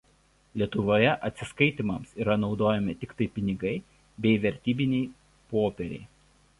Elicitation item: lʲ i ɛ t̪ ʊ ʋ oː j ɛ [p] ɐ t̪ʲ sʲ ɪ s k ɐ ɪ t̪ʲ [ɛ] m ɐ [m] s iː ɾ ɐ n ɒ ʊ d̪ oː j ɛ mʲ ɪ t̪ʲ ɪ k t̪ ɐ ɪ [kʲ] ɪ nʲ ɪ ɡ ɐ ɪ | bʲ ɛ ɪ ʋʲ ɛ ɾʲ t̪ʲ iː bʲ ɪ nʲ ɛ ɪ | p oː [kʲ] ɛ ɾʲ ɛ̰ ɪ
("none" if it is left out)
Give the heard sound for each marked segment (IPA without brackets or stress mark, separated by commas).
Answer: ʔ, i, m, pʲ, pʲ